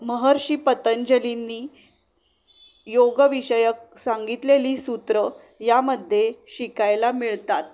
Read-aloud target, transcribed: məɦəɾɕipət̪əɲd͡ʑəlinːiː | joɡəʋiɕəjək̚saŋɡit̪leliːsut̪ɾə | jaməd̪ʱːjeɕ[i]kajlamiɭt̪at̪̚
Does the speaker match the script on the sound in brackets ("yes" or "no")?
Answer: yes